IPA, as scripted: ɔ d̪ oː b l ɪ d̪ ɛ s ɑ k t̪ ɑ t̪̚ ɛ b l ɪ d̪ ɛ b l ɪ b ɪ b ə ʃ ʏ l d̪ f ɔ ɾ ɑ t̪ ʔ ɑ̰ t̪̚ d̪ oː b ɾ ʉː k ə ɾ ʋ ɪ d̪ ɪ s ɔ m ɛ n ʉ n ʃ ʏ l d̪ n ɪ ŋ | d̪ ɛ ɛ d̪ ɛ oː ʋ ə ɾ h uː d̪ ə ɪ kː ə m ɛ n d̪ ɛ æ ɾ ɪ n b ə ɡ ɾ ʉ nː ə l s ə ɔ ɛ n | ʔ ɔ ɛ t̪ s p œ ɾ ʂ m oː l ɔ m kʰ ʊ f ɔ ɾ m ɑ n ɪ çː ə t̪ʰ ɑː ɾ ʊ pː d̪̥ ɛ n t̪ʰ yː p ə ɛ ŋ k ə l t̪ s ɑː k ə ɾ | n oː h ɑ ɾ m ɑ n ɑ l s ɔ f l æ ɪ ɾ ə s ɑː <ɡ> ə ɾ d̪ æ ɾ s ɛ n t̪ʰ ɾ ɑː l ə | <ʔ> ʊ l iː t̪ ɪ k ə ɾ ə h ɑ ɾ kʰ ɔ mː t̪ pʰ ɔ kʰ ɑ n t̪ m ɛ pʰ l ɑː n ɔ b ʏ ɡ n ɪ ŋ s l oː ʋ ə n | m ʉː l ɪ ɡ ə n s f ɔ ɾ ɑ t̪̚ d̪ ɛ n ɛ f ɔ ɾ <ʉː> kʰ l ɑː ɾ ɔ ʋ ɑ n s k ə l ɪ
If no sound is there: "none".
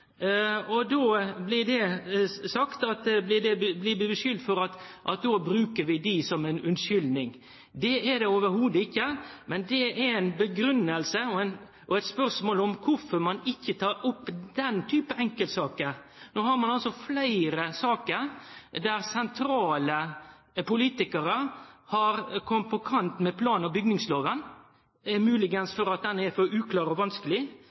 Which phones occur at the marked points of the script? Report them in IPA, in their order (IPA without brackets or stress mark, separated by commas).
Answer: k, p, ʉː